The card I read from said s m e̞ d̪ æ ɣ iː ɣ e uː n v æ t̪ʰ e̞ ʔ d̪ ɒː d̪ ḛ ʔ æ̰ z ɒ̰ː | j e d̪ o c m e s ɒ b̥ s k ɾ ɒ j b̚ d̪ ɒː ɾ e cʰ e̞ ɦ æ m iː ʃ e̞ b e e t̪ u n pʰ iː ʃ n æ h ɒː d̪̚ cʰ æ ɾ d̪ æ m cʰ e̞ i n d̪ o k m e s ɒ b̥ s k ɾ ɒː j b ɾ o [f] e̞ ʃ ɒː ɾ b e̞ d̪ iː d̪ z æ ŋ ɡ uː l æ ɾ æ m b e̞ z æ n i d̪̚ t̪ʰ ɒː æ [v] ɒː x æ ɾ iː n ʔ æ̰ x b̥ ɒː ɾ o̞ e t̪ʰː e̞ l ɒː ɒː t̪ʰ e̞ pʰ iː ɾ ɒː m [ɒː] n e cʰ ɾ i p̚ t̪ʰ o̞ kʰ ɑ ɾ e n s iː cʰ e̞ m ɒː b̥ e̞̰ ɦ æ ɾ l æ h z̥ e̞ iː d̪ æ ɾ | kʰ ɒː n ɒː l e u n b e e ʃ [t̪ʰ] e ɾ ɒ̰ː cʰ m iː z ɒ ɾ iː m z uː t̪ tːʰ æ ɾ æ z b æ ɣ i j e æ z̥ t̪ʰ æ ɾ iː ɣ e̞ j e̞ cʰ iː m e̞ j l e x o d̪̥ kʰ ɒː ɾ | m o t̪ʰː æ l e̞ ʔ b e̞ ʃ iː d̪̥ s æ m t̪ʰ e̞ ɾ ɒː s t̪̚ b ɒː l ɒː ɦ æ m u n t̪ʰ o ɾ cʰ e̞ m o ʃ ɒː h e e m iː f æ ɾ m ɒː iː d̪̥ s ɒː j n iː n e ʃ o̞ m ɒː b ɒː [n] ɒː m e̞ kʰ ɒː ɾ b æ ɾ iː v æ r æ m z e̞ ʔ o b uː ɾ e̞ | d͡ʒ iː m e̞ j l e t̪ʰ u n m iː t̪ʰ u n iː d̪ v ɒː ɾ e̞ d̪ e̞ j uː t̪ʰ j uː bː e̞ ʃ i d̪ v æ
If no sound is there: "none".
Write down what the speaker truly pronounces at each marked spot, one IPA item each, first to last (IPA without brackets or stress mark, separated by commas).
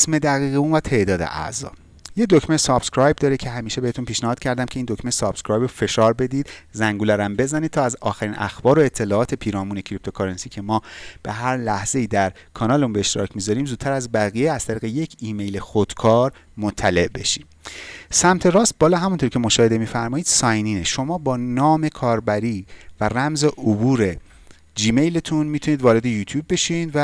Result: f, z, uː, t̪, n